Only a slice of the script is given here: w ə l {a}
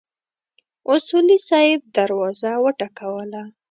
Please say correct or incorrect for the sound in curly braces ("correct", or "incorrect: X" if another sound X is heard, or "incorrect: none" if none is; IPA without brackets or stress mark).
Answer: correct